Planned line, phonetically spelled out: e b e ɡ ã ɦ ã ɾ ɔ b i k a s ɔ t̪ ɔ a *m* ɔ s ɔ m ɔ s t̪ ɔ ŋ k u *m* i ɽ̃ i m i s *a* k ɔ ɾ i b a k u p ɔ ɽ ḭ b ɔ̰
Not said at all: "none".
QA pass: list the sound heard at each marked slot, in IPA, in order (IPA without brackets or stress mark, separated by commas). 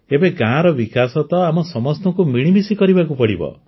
m, m, i